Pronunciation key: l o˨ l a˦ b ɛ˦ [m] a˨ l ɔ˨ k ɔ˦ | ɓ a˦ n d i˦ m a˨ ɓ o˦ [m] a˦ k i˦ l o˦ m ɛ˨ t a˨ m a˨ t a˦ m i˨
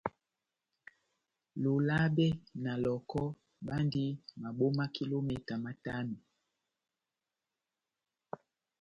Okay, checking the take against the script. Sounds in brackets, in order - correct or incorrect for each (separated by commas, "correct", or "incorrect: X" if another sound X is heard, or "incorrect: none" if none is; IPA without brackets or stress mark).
incorrect: n, correct